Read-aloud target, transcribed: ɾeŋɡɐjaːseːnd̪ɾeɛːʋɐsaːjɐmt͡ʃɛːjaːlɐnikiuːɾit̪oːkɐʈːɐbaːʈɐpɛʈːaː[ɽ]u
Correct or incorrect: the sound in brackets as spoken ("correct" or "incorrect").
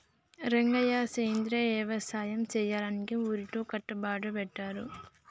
incorrect